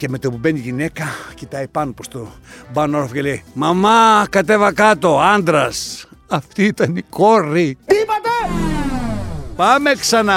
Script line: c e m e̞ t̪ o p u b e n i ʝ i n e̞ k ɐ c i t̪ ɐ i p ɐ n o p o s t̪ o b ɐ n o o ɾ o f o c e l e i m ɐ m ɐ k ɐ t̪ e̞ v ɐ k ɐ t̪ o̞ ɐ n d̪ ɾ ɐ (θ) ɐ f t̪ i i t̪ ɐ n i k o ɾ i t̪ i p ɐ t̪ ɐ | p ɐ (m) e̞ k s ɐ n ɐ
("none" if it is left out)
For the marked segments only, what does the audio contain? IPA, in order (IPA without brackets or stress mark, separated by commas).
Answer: s, m